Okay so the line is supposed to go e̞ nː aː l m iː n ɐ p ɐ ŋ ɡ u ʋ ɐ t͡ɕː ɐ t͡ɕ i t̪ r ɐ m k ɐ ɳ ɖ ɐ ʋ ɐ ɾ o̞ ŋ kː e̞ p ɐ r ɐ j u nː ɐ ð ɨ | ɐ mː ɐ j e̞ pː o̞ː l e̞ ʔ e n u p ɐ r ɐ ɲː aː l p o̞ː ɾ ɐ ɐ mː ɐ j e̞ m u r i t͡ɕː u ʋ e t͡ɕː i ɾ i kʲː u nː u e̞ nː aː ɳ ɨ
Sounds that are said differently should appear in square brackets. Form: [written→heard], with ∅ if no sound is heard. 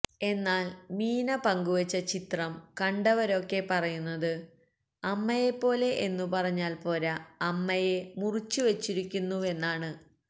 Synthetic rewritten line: e̞ nː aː l m iː n ɐ p ɐ ŋ ɡ u ʋ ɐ t͡ɕː ɐ t͡ɕ i t̪ r ɐ m k ɐ ɳ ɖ ɐ ʋ ɐ ɾ o̞ [ŋ→∅] kː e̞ p ɐ r ɐ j u nː ɐ ð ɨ | ɐ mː ɐ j e̞ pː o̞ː l e̞ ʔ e [n→nː] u p ɐ r ɐ ɲː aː l p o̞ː ɾ ɐ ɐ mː ɐ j e̞ m u r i t͡ɕː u ʋ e t͡ɕː i ɾ i kʲː u nː u e̞ nː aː ɳ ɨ